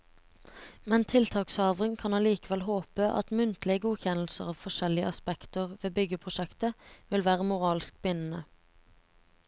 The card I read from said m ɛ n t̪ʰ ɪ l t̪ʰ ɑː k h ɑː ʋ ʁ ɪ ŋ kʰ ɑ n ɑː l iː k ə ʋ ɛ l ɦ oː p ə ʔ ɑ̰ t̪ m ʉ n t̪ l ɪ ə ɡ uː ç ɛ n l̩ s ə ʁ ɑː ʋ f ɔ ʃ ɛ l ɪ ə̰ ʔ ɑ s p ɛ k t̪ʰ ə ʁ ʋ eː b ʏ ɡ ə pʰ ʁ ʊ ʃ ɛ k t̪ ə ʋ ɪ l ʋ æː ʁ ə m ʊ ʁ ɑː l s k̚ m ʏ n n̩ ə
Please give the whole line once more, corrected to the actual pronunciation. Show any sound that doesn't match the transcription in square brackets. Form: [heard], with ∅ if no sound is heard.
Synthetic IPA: m ɛ n t̪ʰ ɪ l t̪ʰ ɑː k [s] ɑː ʋ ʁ ɪ ŋ kʰ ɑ n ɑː l iː k ə ʋ ɛ l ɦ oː p ə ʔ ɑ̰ t̪ m ʉ n t̪ l ɪ ə ɡ uː ç ɛ n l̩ s ə ʁ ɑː ʋ f ɔ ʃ ɛ l ɪ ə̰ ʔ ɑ s p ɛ k [t̪] ə ʁ ʋ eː b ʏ ɡ ə pʰ ʁ ʊ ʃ ɛ k t̪ ə ʋ ɪ l ʋ æː ʁ ə m ʊ ʁ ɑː l s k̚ [b] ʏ n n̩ ə